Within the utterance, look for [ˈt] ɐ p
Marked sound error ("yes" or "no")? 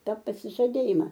no